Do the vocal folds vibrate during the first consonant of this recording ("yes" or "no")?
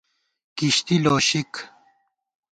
no